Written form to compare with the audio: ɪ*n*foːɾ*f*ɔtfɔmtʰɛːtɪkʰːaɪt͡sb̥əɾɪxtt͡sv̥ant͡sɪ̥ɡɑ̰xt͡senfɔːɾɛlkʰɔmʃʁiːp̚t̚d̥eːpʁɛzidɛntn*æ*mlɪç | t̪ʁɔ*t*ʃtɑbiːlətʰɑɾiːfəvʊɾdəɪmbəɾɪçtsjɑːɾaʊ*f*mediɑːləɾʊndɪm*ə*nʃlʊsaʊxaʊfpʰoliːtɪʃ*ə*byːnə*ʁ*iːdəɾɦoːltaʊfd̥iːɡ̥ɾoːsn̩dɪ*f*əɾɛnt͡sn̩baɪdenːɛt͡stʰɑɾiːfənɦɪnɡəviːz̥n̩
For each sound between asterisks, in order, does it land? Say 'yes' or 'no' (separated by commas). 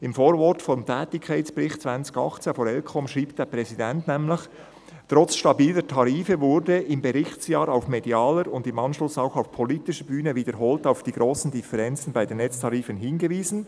no, no, no, no, yes, no, yes, no, yes